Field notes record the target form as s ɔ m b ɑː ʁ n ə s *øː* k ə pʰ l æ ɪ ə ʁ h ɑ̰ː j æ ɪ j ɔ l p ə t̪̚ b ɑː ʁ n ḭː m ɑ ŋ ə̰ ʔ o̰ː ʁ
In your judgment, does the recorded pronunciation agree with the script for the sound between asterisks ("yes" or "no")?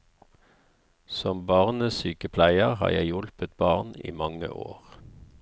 no